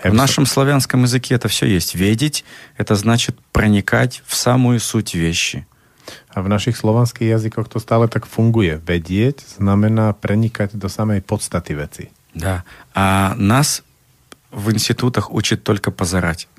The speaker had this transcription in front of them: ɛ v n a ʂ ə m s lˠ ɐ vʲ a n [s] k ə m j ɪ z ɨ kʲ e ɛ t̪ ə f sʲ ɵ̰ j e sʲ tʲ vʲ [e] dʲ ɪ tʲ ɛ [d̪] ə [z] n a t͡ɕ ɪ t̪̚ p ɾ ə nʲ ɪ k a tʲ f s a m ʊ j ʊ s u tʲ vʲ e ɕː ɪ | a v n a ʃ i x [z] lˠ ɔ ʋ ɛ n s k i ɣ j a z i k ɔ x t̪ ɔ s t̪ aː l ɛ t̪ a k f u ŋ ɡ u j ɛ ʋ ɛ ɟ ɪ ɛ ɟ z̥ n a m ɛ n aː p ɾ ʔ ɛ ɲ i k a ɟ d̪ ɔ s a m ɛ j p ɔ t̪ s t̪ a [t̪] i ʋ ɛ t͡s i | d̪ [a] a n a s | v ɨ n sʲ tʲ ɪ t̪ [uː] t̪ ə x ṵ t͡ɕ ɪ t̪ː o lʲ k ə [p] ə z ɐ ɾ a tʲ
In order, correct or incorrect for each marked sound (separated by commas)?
correct, correct, incorrect, correct, incorrect, correct, correct, incorrect, correct